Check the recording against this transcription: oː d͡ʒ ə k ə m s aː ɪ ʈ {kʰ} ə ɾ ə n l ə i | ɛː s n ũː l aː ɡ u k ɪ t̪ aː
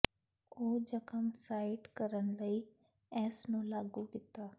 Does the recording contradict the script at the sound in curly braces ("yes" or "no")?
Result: yes